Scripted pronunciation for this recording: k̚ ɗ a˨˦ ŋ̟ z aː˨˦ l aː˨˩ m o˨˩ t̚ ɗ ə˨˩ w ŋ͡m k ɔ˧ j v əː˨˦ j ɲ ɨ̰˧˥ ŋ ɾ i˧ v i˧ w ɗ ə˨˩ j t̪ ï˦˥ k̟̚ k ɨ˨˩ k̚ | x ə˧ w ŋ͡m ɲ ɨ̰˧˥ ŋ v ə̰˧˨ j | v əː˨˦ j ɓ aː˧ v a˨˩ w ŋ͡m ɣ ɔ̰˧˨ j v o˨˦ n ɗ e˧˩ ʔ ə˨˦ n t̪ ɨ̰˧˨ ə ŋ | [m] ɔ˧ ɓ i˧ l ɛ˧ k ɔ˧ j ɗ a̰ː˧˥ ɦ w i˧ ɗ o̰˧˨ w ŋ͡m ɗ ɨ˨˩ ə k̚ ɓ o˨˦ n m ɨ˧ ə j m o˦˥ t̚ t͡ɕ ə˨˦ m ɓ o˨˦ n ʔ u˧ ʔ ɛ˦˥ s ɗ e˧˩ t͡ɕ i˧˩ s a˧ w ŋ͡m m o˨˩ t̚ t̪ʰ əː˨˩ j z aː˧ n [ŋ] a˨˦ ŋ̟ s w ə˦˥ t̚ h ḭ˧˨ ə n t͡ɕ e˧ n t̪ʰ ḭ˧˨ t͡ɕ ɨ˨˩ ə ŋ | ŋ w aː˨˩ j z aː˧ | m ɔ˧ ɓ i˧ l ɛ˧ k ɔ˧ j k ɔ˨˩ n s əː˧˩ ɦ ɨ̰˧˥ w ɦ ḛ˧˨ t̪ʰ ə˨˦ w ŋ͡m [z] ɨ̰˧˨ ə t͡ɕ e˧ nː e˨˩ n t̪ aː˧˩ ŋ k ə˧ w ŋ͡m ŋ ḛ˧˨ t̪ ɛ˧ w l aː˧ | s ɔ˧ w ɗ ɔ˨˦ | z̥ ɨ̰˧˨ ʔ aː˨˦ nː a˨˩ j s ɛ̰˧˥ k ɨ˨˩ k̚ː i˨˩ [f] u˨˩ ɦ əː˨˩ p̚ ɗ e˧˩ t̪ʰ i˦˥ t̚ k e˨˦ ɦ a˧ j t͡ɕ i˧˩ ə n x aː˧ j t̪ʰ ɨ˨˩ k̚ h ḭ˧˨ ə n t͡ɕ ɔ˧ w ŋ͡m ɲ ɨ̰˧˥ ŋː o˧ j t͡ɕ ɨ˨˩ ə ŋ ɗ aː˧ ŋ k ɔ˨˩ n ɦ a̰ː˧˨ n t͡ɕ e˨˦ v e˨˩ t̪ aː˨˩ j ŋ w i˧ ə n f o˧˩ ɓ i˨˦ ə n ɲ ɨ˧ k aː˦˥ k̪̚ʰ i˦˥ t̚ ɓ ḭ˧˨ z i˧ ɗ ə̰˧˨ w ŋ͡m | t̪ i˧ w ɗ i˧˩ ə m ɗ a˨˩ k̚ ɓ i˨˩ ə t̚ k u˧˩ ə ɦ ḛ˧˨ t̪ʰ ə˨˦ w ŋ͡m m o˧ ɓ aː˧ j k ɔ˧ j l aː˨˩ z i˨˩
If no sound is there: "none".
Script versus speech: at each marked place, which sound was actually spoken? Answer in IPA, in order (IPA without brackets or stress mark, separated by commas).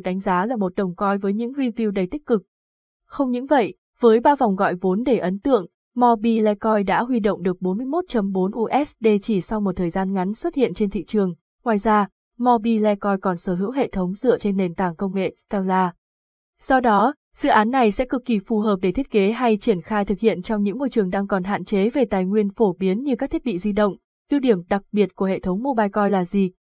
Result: m, ŋ, z, f